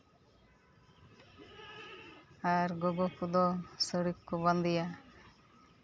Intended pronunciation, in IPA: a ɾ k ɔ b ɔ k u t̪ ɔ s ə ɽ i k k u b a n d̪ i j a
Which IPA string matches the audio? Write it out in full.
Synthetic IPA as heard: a ɾ ɡ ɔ ɡ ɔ k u d̪ ɔ s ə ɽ i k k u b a n d̪ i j a